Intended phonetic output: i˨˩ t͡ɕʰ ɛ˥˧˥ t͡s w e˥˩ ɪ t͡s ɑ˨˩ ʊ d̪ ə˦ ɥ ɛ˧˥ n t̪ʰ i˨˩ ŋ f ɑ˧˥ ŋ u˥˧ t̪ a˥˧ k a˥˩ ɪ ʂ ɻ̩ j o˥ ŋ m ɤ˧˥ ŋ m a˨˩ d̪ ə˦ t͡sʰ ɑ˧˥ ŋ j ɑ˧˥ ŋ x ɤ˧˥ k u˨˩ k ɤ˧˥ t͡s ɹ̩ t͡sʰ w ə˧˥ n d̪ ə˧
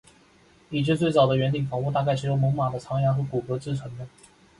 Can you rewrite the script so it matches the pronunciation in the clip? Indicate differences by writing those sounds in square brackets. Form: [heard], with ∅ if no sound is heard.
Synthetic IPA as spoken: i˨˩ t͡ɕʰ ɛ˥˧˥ t͡s w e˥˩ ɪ t͡s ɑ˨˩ ʊ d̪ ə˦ ɥ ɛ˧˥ n [t̪] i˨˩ ŋ f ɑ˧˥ ŋ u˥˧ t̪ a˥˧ k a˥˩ ɪ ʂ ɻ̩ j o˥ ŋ m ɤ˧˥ ŋ m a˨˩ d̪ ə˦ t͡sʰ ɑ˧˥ ŋ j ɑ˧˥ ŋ x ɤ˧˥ k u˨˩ k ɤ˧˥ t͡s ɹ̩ t͡sʰ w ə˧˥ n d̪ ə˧